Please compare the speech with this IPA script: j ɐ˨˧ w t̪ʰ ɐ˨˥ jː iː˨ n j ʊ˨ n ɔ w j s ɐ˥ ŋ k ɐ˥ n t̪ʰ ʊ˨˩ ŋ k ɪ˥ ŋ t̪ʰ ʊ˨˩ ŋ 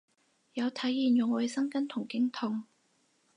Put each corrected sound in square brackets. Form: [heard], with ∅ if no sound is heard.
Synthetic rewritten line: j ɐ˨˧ w t̪ʰ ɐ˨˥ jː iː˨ n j ʊ˨ [ŋ] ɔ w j s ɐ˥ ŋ k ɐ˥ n t̪ʰ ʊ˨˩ ŋ k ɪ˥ ŋ t̪ʰ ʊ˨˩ ŋ